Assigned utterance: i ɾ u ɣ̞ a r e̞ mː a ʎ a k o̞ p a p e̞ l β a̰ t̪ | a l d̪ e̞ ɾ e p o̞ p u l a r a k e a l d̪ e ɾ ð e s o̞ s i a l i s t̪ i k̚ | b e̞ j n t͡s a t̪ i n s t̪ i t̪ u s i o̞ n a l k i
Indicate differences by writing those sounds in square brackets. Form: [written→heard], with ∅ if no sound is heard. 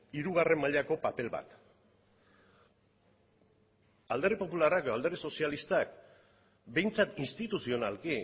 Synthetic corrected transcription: i ɾ u ɣ̞ a r e̞ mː a ʎ a k o̞ p a p e̞ l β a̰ t̪ | a l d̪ e̞ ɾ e p o̞ p u l a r a k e a l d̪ e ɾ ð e s o̞ s i a l i s t̪ [i→a] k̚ | b e̞ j n t͡s a t̪ i n s t̪ i t̪ u s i o̞ n a l k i

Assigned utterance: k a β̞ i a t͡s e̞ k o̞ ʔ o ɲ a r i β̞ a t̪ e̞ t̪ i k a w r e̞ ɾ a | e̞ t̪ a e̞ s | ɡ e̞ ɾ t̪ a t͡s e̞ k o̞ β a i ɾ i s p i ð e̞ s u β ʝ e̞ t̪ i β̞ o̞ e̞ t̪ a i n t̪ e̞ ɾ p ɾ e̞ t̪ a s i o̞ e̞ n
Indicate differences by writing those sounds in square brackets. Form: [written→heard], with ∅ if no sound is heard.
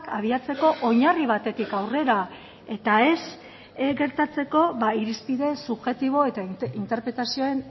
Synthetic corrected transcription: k a β̞ i a t͡s e̞ k o̞ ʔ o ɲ a r i β̞ a t̪ e̞ t̪ i k a w r e̞ ɾ a | e̞ t̪ a e̞ s | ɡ e̞ ɾ t̪ a t͡s e̞ k o̞ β a i ɾ i s p i ð e̞ s u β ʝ e̞ t̪ i β̞ o̞ e̞ t̪ a i n t̪ e̞ ɾ p ɾ e̞ t̪ a s i o̞ e̞ n

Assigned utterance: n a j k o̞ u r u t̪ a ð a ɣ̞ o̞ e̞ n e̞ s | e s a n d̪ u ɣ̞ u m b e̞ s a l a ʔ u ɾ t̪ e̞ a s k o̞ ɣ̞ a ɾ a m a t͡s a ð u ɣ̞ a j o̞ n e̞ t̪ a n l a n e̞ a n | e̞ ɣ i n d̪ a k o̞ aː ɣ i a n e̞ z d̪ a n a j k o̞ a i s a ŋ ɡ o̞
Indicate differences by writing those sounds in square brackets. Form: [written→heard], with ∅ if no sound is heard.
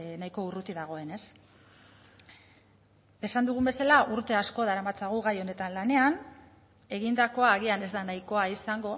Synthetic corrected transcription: n a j k o̞ u r u t̪ [a→i] ð a ɣ̞ o̞ e̞ n e̞ s | e s a n d̪ u ɣ̞ u m b e̞ s a l a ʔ u ɾ t̪ e̞ a s k o̞ [ɣ̞→ð̞] a ɾ a m a t͡s a [ð→ɣ] u ɣ̞ a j o̞ n e̞ t̪ a n l a n e̞ a n | e̞ ɣ i n d̪ a k o̞ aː ɣ i a n e̞ z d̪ a n a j k o̞ a i s a ŋ ɡ o̞

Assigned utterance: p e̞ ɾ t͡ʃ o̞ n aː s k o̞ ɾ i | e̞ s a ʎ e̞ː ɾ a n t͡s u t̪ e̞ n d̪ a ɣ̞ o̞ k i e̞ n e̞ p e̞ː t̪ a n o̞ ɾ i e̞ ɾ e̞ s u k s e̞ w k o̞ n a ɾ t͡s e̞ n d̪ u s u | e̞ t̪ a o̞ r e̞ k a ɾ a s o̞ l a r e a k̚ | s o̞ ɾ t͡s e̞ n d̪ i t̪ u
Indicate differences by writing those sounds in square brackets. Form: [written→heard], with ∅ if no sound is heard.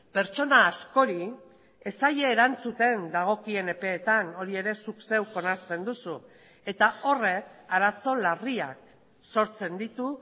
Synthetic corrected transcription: p e̞ ɾ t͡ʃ o̞ n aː s k o̞ ɾ i | e̞ s a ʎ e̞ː ɾ a n t͡s u t̪ e̞ n d̪ a ɣ̞ o̞ k i e̞ n e̞ p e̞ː t̪ a n o̞ ɾ i e̞ ɾ e̞ s u k s e̞ w k o̞ n a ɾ t͡s e̞ n d̪ u s u | e̞ t̪ a o̞ r e̞ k a ɾ a s o̞ l a r [e→i] a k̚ | s o̞ ɾ t͡s e̞ n d̪ i t̪ u

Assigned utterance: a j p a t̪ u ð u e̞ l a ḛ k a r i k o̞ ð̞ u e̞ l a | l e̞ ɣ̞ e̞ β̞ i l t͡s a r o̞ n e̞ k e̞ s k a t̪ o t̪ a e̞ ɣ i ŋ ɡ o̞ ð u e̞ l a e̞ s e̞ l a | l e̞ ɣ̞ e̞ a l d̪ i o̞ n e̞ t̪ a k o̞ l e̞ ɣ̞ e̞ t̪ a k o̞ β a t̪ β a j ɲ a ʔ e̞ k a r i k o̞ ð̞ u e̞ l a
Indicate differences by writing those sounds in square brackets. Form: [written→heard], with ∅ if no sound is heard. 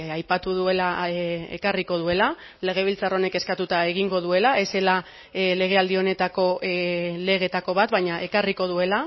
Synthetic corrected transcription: a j p a t̪ u ð u e̞ l a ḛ k a r i k o̞ ð̞ u e̞ l a | l e̞ ɣ̞ e̞ β̞ i l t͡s a r o̞ n e̞ k e̞ s k a t̪ [o→u] t̪ a e̞ ɣ i ŋ ɡ o̞ ð u e̞ l a e̞ s e̞ l a | l e̞ ɣ̞ e̞ a l d̪ i o̞ n e̞ t̪ a k o̞ l e̞ ɣ̞ e̞ t̪ a k o̞ β a t̪ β a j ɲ a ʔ e̞ k a r i k o̞ ð̞ u e̞ l a

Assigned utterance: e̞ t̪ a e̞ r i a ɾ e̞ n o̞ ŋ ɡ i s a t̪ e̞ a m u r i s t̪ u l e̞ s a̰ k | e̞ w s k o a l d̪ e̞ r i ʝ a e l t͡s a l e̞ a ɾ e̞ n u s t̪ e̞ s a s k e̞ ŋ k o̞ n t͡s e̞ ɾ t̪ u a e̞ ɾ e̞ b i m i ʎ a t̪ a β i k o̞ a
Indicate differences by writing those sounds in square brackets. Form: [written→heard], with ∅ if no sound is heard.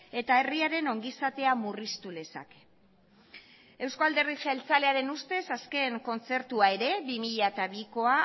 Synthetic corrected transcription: e̞ t̪ a e̞ r i a ɾ e̞ n o̞ ŋ ɡ i s a t̪ e̞ a m u r i s t̪ u l e̞ s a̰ k | e̞ w s k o a l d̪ e̞ r i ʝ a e l t͡s a l e̞ a ɾ e̞ n u s t̪ e̞ s a s k e̞ ŋ k o̞ n t͡s e̞ ɾ t̪ u a e̞ ɾ e̞ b i m i ʎ a t̪ a β i k o̞ a

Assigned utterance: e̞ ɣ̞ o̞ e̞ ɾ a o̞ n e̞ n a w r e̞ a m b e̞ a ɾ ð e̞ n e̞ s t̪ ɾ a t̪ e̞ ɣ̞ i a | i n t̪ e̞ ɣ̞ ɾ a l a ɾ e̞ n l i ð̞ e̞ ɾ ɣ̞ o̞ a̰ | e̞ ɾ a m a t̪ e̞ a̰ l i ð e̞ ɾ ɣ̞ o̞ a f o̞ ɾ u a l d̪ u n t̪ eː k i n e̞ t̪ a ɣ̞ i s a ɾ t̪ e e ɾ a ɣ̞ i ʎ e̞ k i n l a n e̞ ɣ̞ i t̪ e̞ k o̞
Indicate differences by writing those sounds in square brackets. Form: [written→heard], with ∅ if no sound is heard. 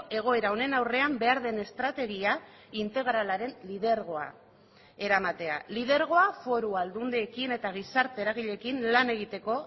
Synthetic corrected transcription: e̞ ɣ̞ o̞ e̞ ɾ a o̞ n e̞ n a w r e̞ a m b e̞ a ɾ ð e̞ n e̞ s t̪ ɾ a t̪ e̞ ɣ̞ i a | i n t̪ e̞ ɣ̞ ɾ a l a ɾ e̞ n l i ð̞ e̞ ɾ ɣ̞ o̞ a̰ | e̞ ɾ a m a t̪ e̞ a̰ l i ð e̞ ɾ ɣ̞ o̞ a f o̞ ɾ u a l d̪ u n [t̪→d̪] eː k i n e̞ t̪ a ɣ̞ i s a ɾ t̪ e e ɾ a ɣ̞ i ʎ e̞ k i n l a n e̞ ɣ̞ i t̪ e̞ k o̞

